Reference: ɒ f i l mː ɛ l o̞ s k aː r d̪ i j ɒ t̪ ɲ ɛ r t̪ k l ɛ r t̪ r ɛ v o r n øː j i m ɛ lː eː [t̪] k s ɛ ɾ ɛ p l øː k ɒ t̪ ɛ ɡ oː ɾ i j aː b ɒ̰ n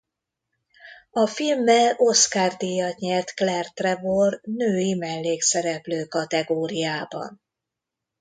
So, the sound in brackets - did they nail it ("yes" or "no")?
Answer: no